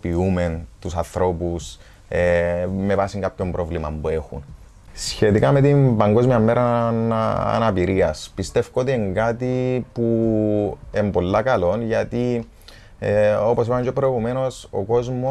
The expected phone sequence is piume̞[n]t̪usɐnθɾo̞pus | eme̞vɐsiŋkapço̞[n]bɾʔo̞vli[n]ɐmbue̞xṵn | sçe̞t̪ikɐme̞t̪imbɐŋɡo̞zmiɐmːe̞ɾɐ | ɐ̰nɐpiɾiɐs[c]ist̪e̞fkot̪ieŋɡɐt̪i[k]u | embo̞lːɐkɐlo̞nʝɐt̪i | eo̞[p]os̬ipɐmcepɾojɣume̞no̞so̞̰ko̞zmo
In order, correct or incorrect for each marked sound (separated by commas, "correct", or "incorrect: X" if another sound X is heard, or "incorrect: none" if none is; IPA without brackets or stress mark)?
correct, incorrect: m, incorrect: m, incorrect: p, incorrect: p, correct